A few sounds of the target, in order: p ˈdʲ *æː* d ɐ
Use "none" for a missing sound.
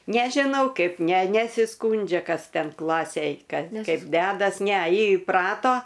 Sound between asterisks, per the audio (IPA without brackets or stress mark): æː